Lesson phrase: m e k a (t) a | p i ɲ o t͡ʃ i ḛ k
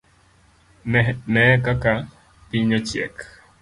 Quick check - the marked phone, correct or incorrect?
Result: incorrect